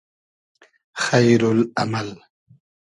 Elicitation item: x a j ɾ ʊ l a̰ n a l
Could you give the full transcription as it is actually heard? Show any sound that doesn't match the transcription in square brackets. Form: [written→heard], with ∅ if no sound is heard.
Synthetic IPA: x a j ɾ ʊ l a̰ [n→m] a l